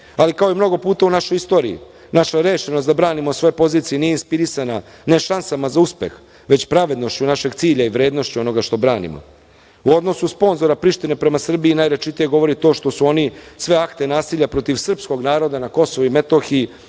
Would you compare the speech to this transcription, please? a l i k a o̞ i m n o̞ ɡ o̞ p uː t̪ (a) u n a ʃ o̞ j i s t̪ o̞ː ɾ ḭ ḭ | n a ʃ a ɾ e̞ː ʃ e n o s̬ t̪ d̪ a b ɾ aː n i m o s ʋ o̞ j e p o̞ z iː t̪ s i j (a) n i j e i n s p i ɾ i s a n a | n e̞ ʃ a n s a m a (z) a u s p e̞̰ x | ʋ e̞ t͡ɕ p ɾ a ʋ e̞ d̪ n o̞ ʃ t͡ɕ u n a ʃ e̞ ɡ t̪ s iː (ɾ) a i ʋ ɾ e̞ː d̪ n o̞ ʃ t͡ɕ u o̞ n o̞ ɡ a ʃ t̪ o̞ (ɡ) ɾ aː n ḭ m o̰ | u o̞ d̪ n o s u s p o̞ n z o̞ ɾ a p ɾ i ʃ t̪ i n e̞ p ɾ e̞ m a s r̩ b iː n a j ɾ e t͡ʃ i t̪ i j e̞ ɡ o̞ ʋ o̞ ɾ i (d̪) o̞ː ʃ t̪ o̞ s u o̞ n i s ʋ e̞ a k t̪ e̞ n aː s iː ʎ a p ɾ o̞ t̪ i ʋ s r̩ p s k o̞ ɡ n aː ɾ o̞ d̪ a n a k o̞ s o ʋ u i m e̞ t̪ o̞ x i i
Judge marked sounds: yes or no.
yes, no, yes, no, no, no

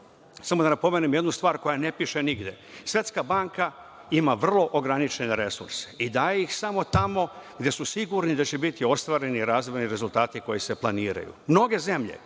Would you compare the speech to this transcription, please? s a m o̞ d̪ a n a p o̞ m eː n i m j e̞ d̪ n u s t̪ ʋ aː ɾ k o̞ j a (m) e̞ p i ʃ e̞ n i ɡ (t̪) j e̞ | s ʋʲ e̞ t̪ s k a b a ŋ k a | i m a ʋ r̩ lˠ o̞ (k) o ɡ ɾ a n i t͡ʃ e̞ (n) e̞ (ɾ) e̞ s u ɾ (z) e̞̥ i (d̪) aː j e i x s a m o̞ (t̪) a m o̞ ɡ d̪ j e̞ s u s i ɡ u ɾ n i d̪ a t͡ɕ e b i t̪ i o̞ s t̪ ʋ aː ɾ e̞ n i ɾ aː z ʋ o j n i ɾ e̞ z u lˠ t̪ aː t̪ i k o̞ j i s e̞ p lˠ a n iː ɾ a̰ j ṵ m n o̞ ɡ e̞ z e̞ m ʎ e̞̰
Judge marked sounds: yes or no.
no, no, no, yes, yes, no, yes, yes

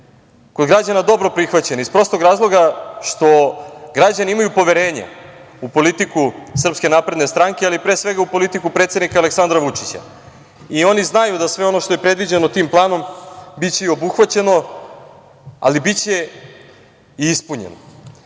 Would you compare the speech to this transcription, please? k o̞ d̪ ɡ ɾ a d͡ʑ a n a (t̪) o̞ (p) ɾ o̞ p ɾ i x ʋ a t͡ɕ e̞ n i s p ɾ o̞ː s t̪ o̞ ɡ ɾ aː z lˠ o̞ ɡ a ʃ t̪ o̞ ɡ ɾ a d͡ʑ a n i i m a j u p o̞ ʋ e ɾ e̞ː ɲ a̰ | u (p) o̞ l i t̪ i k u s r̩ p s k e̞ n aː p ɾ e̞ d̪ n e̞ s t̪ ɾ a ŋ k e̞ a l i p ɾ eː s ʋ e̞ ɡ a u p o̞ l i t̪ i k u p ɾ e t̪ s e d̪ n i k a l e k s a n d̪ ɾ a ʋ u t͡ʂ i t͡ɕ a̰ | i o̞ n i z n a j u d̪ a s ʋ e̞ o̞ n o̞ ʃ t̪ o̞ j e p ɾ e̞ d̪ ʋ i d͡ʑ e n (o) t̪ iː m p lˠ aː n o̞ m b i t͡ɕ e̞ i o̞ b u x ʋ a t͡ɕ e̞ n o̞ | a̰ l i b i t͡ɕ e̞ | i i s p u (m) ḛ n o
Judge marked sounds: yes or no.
no, no, yes, yes, no

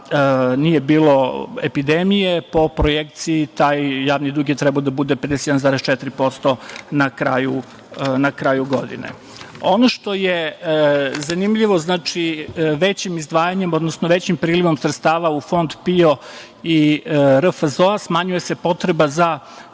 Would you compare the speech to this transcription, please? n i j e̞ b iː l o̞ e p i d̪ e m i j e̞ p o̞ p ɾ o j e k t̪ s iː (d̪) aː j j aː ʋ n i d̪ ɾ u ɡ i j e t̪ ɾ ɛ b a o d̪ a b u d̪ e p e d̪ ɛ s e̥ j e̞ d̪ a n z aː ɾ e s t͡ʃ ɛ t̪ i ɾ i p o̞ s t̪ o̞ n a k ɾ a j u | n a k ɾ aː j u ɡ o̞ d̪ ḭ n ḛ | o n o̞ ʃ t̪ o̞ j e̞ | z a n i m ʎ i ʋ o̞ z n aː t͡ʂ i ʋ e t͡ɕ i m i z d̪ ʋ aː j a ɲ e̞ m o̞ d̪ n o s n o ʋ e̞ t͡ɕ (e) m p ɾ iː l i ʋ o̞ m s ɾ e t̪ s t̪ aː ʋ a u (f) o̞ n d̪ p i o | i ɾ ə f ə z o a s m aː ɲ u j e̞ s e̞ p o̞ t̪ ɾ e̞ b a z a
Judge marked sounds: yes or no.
no, no, yes

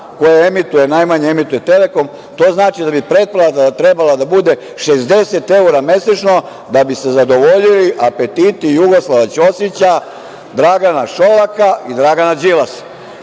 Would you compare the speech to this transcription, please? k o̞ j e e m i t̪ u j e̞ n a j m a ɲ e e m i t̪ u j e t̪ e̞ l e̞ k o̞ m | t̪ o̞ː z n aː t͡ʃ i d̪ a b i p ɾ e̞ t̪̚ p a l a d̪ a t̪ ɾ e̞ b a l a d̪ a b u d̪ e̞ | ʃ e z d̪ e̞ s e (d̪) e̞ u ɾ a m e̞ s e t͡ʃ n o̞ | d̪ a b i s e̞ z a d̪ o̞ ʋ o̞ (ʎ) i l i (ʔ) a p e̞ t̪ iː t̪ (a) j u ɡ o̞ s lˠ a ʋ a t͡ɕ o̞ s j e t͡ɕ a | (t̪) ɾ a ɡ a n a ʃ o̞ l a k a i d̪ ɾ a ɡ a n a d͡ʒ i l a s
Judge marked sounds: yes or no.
no, yes, yes, no, no

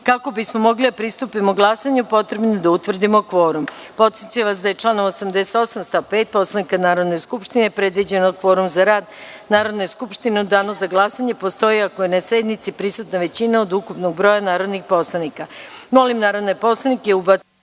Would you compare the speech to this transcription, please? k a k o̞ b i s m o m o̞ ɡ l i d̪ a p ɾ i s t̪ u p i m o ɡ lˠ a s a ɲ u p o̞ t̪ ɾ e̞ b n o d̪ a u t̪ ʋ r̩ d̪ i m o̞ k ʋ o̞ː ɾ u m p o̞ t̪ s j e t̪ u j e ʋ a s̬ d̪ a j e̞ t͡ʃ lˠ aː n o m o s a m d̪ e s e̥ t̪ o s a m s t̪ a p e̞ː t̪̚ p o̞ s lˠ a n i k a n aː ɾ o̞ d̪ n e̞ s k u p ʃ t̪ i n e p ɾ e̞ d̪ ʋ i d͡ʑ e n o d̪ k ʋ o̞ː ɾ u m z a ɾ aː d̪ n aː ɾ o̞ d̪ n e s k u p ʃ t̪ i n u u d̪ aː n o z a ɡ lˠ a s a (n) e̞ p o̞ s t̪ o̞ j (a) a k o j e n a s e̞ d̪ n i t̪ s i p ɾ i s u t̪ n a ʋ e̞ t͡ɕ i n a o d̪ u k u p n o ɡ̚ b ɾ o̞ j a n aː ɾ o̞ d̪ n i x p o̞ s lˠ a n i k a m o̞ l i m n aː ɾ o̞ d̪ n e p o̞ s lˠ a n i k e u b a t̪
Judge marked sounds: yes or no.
no, no

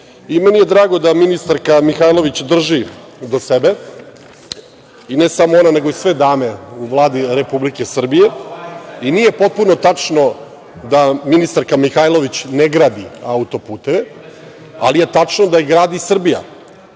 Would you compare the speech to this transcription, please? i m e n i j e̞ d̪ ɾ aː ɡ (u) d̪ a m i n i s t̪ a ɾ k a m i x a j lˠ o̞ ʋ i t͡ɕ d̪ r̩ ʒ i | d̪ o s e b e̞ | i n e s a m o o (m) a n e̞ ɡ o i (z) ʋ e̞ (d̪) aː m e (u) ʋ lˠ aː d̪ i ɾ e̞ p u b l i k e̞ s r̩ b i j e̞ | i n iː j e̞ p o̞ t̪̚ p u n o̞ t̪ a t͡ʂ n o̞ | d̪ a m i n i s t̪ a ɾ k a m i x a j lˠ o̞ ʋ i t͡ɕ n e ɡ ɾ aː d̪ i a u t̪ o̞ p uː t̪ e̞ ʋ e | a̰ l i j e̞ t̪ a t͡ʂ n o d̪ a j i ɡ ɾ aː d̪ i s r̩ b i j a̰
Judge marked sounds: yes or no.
no, no, no, yes, yes

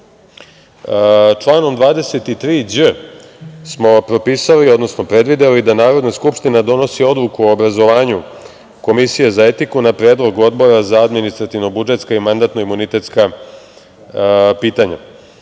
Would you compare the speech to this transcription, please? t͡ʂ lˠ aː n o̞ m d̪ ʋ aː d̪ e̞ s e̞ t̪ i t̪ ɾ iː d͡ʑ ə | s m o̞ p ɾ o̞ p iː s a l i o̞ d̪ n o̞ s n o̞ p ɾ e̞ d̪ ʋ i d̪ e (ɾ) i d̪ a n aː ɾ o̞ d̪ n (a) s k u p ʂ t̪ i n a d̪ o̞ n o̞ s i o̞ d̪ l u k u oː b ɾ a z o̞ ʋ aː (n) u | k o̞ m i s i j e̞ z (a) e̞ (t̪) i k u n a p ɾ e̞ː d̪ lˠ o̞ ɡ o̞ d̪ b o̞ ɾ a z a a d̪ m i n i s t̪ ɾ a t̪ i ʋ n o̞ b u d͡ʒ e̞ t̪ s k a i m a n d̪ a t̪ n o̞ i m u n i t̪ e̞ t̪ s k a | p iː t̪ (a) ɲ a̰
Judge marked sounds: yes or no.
no, yes, no, yes, yes, yes

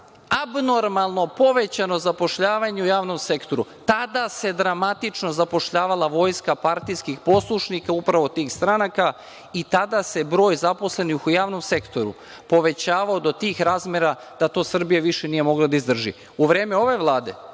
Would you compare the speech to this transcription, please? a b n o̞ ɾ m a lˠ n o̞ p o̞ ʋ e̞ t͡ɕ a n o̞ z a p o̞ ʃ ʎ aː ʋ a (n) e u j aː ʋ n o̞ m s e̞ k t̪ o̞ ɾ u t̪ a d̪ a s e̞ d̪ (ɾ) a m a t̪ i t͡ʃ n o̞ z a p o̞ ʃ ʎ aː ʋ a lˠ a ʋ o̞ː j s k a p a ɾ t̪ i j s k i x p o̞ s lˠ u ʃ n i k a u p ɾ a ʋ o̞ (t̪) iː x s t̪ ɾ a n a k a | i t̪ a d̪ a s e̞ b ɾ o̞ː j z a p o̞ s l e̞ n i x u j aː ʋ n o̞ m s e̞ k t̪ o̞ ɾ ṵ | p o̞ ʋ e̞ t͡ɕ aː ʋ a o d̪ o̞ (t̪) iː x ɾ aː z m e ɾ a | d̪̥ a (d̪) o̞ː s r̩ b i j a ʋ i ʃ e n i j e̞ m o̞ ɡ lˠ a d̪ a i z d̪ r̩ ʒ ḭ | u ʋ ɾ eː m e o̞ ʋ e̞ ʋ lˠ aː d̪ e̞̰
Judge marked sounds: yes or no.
no, yes, yes, yes, no

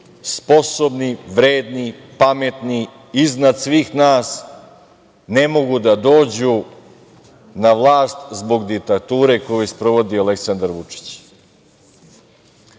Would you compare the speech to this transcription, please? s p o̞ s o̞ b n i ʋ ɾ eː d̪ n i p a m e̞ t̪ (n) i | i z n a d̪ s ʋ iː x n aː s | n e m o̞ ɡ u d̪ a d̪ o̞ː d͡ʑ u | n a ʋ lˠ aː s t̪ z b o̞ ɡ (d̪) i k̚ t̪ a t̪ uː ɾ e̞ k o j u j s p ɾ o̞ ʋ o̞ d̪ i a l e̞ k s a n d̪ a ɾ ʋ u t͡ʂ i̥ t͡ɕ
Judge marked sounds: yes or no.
yes, yes

